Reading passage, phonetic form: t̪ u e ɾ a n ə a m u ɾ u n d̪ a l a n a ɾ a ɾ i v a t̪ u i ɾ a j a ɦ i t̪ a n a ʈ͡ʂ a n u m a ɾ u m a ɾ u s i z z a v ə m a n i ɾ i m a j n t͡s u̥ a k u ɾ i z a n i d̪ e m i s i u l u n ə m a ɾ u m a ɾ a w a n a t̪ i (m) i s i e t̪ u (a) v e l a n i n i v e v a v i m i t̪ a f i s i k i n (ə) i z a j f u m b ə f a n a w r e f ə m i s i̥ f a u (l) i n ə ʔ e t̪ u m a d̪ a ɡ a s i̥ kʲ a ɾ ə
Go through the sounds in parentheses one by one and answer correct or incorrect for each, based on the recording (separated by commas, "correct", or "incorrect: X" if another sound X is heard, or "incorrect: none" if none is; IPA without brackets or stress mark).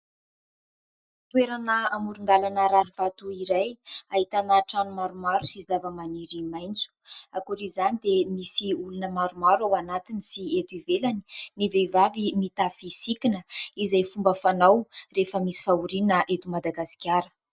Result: incorrect: n, incorrect: i, correct, incorrect: ɾ